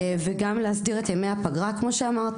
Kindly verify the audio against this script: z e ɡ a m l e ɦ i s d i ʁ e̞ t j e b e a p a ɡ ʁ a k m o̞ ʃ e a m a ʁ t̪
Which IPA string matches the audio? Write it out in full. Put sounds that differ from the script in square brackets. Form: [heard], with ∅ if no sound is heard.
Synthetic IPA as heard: [v] e ɡ a m l e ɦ [a] s d i ʁ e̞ t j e [m] e a p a ɡ ʁ a k m o̞ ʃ e a m a ʁ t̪